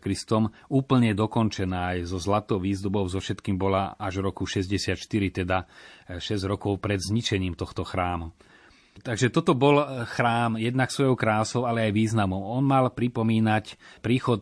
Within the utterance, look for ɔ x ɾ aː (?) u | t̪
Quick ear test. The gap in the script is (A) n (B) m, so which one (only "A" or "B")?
B